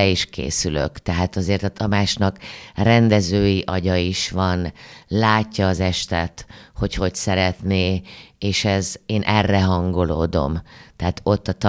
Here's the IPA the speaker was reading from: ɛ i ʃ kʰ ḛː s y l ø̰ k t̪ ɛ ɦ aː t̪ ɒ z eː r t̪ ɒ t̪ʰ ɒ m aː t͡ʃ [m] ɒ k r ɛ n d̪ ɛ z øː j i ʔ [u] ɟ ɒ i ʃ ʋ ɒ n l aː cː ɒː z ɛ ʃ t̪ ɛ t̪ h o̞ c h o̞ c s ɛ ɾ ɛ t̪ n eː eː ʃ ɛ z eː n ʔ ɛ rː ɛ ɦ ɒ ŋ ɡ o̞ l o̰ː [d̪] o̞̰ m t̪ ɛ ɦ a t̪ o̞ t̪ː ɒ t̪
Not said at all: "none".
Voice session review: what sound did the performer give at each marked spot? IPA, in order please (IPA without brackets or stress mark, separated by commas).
n, ɒ, d̪